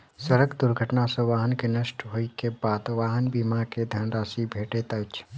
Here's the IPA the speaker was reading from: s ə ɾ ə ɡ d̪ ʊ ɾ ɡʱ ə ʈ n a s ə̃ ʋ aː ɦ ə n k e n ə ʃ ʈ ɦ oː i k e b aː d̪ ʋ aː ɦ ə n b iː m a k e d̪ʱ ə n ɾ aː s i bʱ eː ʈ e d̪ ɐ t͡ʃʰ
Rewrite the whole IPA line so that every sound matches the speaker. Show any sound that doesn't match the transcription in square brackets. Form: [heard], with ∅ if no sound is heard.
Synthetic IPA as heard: s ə ɾ ə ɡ d̪ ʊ ɾ ɡʱ ə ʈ n a s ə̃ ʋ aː ɦ ə n k e n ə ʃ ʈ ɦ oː i k e b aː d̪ ʋ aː ɦ ə n b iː m a k e d̪ʱ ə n ɾ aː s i bʱ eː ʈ e [t̪] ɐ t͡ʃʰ